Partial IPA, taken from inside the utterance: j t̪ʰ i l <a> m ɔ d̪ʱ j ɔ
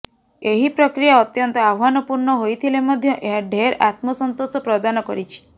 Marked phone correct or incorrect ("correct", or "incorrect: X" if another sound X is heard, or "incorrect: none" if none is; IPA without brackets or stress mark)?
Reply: incorrect: e